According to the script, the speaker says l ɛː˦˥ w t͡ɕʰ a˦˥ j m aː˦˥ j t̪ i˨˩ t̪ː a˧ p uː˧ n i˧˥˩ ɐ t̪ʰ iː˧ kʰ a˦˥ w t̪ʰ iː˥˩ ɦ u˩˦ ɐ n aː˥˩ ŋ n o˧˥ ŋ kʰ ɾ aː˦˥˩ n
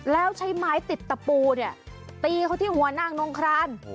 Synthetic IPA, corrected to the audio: l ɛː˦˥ w t͡ɕʰ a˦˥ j m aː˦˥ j t̪ i˨˩ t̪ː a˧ p uː˧ n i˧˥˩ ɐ t̪ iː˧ kʰ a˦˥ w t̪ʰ iː˥˩ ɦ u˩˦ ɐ n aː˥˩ ŋ n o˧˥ ŋ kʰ ɾ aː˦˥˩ n